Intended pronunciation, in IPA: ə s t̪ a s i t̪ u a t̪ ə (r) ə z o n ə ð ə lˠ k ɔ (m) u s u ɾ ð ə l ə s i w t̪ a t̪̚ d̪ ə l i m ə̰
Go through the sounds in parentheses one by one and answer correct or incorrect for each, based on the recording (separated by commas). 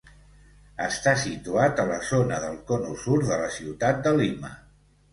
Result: incorrect, incorrect